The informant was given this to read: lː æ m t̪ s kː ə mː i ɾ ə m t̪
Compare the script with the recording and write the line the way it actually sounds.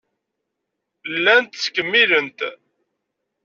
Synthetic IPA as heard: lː æ n t̪ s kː ə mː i l ə n t̪

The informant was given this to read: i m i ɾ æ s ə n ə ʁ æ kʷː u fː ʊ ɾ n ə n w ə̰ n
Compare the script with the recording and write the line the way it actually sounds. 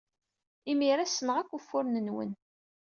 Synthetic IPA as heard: i m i ɾ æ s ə n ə ʁ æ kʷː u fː ʊ ɾ n ə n w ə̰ n

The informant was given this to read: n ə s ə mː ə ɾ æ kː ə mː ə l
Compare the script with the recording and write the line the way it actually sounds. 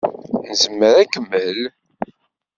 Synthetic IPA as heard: n ə z ə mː ə ɾ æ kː ə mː ə l

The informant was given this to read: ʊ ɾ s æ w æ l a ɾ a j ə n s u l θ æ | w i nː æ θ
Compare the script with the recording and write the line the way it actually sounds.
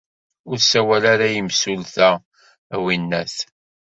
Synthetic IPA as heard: ʊ ɾ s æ w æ l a ɾ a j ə m s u l θ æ | w i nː æ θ

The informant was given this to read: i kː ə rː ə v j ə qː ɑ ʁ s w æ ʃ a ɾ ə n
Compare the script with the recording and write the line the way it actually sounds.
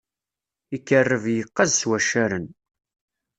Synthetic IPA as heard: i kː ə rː ə v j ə qː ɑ z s w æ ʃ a ɾ ə n

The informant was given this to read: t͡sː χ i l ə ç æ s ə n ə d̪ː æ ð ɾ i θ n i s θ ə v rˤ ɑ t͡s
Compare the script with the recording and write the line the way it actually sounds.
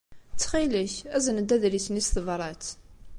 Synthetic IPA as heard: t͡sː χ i l ə ç æ z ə n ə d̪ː æ ð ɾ i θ n i s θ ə v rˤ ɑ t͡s

